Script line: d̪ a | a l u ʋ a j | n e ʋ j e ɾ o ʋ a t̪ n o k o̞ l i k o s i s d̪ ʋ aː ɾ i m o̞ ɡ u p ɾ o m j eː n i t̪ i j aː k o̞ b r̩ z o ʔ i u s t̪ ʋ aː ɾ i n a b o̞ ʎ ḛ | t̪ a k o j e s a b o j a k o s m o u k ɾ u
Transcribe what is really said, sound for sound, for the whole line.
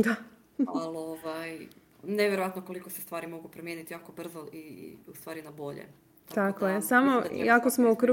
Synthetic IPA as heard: d̪ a | a l o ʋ a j | n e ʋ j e ɾ o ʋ a t̪ n o k o̞ l i k o s e s t̪ ʋ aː ɾ i m o̞ ɡ u p ɾ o m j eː n i t̪ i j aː k o̞ b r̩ z o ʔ i u s t̪ ʋ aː ɾ i n a b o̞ ʎ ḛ | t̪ a k o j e s a m o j a k o s m o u k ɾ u